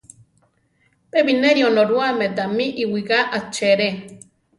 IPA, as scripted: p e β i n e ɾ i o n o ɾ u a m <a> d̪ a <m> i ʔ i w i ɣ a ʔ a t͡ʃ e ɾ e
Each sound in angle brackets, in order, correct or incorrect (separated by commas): incorrect, correct